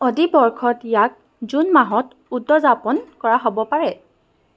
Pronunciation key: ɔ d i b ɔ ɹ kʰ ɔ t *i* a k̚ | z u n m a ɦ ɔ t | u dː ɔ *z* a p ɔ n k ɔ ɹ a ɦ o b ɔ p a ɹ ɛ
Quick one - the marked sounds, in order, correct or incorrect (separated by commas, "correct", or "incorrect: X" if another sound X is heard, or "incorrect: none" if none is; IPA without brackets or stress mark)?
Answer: incorrect: j, correct